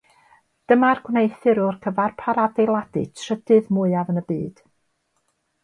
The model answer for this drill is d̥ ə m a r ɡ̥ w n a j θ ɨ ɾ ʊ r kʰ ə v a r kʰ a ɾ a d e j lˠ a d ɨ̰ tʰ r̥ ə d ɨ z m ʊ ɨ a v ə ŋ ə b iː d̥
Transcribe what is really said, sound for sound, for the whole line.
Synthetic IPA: d̥ ə m a r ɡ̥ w n e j θ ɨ ɾ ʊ r kʰ ə v a r pʰ a ɾ a d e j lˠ a d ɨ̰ tʰ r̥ ə d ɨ ð m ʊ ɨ a v ə n ə b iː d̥